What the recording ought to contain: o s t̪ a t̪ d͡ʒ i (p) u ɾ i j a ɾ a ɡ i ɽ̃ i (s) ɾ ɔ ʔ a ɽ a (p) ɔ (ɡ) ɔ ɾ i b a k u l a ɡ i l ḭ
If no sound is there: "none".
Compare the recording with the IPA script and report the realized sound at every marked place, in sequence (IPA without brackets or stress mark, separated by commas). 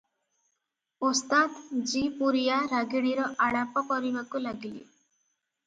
p, none, p, k